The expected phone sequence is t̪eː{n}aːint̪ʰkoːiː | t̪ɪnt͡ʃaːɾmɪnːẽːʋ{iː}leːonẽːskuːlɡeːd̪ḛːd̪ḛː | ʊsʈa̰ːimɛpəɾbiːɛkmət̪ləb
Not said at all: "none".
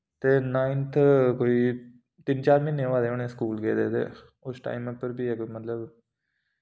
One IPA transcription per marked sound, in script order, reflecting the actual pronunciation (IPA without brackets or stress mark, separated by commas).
n, aː